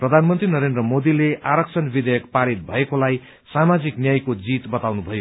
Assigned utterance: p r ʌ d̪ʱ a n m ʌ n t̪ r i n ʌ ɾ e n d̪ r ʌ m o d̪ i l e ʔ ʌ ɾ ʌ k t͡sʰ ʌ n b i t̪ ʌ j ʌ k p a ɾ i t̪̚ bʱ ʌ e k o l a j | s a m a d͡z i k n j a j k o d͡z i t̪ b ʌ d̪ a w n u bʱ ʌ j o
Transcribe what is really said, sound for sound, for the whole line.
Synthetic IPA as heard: p r ʌ d̪ʱ a n m ʌ n t̪ r i n ʌ ɾ e n d̪ r ʌ m o d̪ i l e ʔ a ɾ ʌ k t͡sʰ ʌ n b i d̪ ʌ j ʌ k p a ɾ i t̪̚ bʱ ʌ e k o l a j | s a m a d͡z i k n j a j k o d͡z i t̪ b ʌ t̪ a w n u bʱ ʌ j o

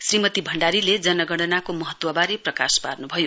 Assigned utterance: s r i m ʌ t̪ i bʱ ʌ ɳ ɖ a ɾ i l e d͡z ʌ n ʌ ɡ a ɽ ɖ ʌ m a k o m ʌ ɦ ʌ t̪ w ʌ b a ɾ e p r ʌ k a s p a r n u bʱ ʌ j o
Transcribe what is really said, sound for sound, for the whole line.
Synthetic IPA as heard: s r i m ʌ t̪ i bʱ ʌ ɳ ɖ a ɾ i l e d͡z ʌ n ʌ ɡ ʌ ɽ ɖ ʌ n a k o m ʌ ɦ ʌ t̪ w ʌ b a ɾ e p r ʌ k a s p a r n u bʱ ʌ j o

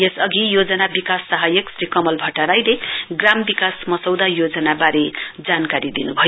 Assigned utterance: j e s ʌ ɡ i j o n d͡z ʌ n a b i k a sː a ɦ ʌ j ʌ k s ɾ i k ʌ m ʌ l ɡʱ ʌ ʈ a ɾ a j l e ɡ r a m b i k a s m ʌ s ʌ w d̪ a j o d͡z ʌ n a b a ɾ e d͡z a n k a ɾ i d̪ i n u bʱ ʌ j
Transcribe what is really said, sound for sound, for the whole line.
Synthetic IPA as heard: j e s ʌ ɡ i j o d͡z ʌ n a b i k a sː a ɦ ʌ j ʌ k s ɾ i k ʌ m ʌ l bʱ ʌ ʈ a ɾ a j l e ɡ r a m b i k a s m ʌ s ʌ w d̪ a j o d͡z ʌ n a b a ɾ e d͡z a n k a ɾ i d̪ i n u bʱ ʌ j

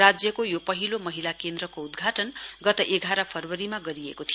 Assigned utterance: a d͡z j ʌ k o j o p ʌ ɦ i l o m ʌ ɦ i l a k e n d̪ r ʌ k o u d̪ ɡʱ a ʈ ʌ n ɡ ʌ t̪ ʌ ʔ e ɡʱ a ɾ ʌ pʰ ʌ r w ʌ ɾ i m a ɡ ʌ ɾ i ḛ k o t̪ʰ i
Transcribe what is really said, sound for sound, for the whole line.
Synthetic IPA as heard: a d͡z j ʌ k o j o p ʌ ɦ i l o m ʌ ɦ i l a k e n d̪ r ʌ k o u d̪ ɡʱ a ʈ ʌ n ɡ ʌ t̪ ʌ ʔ e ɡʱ a ɾ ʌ pʰ ʌ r w ʌ ɾ i m a ɡ ʌ ɾ i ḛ k o t̪ʰ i

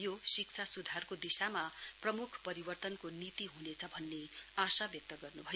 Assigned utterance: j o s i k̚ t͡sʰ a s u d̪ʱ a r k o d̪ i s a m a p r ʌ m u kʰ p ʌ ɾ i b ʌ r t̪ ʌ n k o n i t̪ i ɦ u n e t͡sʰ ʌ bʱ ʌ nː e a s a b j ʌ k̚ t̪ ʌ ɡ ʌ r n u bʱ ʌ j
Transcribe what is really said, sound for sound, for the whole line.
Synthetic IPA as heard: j o s i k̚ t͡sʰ a s u d̪ʱ a r k o d̪ i s a m a p r ʌ m u kʰ p ʌ ɾ i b ʌ r t̪ ʌ n k o n i t̪ i ɦ u n e t͡sʰ ʌ bʱ ʌ nː e a s a b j ʌ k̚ t̪ ʌ ɡ ʌ r n u bʱ ʌ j

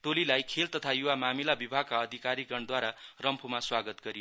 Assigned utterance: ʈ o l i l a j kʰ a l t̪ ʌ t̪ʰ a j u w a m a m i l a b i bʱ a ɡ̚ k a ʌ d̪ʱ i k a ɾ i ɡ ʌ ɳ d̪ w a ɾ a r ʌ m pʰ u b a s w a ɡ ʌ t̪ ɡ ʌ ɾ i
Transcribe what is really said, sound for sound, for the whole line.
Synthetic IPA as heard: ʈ o l i l a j kʰ e l t̪ ʌ t̪ʰ a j u w a m a m i l a b i bʱ a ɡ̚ k a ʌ d̪ʱ i k a ɾ i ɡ ʌ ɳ d̪ w a ɾ a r ʌ m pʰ u m a s w a ɡ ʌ t̪ ɡ ʌ ɾ i

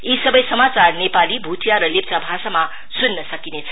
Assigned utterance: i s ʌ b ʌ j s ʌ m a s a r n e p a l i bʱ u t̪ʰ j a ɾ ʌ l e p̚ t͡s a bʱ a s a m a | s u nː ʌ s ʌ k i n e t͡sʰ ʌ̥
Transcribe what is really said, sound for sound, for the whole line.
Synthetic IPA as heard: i s ʌ b ʌ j s ʌ m a t͡s a r n e p a l i bʱ u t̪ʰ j a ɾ ʌ l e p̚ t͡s a bʱ a s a m a | s u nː ʌ s ʌ k i n e t͡sʰ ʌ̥

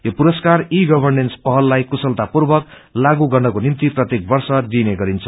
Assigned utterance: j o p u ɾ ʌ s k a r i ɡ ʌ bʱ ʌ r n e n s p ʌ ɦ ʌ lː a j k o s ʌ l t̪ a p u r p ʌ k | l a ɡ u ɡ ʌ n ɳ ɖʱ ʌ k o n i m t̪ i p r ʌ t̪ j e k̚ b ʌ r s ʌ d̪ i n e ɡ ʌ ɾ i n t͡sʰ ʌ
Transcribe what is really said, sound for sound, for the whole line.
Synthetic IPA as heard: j o p u ɾ ʌ s k a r i ɡ ʌ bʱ ʌ r n e n s p ʌ ɦ ʌ lː a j k u s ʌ l t̪ a p u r b ʌ k | l a ɡ u ɡ ʌ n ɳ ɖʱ ʌ k o n i m t̪ i p r ʌ t̪ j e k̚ b ʌ r s ʌ d̪ i n e ɡ ʌ ɾ i n t͡sʰ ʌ

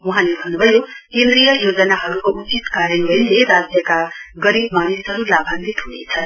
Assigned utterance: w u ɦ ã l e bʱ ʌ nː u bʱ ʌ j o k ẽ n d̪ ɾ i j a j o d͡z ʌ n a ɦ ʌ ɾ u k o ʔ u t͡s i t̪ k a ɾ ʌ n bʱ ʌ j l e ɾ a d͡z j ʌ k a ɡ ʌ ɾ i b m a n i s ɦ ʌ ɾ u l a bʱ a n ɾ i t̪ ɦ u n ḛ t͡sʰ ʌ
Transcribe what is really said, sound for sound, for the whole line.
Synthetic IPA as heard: w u ɦ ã l e bʱ ʌ nː u bʱ ʌ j o k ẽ n d̪ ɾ i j ʌ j o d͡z ʌ n a ɦ ʌ ɾ u k o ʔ u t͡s i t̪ k a ɾ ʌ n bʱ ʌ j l e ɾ a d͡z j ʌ k a ɡ ʌ ɾ i b m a n i s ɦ ʌ ɾ u l a bʱ a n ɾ i t̪ ɦ u n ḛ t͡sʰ ʌ

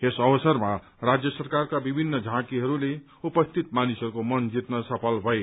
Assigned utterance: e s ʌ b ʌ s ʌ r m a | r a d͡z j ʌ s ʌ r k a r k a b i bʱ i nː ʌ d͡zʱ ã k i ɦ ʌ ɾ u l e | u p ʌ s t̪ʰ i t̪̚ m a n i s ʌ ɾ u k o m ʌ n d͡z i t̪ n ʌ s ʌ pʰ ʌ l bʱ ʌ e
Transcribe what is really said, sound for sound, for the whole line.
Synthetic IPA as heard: e s ʌ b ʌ s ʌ r m a | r a d͡z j ʌ s ʌ r k a r k a b i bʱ i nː ʌ d͡zʱ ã k i ɦ ʌ ɾ u l e | u p ʌ s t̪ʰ i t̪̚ m a n i s ʌ ɾ u k o m ʌ n d͡z i t̪ n ʌ s ʌ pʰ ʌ l bʱ ʌ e

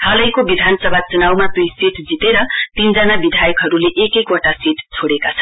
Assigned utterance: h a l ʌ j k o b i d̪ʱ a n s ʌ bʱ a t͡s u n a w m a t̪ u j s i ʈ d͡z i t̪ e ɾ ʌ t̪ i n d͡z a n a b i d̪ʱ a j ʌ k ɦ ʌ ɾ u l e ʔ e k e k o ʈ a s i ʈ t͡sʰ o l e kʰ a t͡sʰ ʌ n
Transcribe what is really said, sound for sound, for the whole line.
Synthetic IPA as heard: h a l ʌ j k o b i d̪ʱ a n s ʌ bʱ a t͡s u n a w m a t̪ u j s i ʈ d͡z i t̪ e ɾ ʌ t̪ i n d͡z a n a b i d̪ʱ a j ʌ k ɦ ʌ ɾ u l e ʔ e k e k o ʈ a s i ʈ t͡sʰ o ɽ e k a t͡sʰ ʌ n

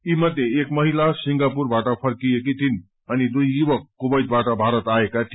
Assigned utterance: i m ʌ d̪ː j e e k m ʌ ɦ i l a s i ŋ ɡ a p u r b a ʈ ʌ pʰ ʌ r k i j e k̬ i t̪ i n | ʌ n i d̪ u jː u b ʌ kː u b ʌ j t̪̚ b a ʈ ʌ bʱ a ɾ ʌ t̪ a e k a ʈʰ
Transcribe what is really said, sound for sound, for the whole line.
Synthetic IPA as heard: i m ʌ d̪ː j e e k m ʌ ɦ i l a s i ŋ ɡ a p u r b a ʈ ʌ pʰ ʌ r k i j e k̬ i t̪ i n | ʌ n i d̪ u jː u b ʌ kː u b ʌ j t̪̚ b a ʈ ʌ bʱ a ɾ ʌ t̪ a e k a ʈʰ

